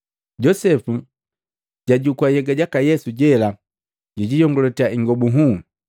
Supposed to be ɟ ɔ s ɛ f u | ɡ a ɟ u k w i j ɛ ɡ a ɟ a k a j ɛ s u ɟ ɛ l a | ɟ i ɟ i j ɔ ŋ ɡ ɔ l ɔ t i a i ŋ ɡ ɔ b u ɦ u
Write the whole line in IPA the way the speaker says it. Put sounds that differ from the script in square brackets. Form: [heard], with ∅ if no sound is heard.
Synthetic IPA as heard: ɟ ɔ s ɛ f u | [ɟ] a ɟ u k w [a] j ɛ ɡ a ɟ a k a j ɛ s u ɟ ɛ l a | ɟ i ɟ i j ɔ ŋ ɡ ɔ l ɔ t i a i ŋ ɡ ɔ b u ɦ u